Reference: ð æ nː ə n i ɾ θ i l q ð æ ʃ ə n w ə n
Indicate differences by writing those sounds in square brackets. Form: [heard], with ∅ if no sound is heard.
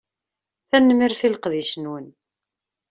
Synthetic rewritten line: [θ] æ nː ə [m] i ɾ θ i l q ð [i] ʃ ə n w ə n